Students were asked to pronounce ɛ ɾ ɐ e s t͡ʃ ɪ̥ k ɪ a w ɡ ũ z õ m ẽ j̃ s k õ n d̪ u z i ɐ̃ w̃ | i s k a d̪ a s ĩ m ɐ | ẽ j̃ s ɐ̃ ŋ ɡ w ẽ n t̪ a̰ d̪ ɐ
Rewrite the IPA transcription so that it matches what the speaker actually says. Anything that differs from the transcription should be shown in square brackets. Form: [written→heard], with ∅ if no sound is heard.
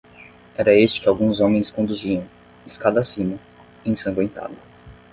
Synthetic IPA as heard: ɛ ɾ ɐ e s t͡ʃ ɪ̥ k ɪ a w ɡ ũ z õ m ẽ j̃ s k õ n d̪ u z i ɐ̃ w̃ | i s k a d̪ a s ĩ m ɐ | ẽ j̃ s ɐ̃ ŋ ɡ w ẽ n t̪ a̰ d̪ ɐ